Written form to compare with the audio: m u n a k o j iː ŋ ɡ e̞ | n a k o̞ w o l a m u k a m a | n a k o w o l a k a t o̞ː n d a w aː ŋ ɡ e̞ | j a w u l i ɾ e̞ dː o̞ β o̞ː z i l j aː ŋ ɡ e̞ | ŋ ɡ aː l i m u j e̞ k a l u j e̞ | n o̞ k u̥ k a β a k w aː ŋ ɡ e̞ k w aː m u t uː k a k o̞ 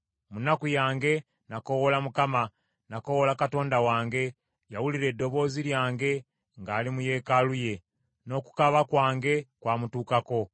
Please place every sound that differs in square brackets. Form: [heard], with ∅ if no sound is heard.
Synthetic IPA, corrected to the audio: m u n a k [u] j [aː] ŋ ɡ e̞ | n a k o̞ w o l a m u k a m a | n a k o w o l a k a t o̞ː n d a w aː ŋ ɡ e̞ | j a w u l i ɾ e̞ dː o̞ β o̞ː z i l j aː ŋ ɡ e̞ | ŋ ɡ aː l i m u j e̞ k a l u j e̞ | n o̞ k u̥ k a β a k w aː ŋ ɡ e̞ k w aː m u t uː k a k o̞